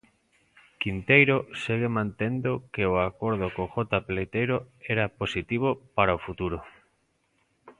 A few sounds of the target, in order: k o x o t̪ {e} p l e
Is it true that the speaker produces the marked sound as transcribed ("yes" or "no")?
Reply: no